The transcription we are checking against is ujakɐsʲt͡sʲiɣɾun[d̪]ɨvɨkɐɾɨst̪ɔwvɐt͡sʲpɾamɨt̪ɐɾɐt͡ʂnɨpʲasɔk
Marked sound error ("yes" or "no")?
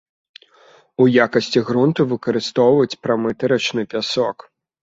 yes